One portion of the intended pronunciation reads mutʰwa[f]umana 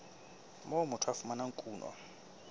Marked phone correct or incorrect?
correct